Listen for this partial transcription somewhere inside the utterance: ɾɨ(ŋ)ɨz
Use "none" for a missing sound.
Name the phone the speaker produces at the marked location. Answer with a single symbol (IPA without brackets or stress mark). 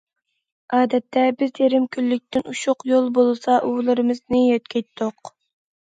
m